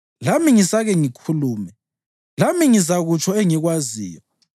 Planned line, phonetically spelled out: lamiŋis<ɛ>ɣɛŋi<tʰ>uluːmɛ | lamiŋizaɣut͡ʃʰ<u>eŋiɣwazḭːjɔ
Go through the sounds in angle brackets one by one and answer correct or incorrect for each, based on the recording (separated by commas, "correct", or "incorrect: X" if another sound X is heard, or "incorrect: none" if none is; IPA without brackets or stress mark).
incorrect: a, incorrect: kʰ, incorrect: ɔ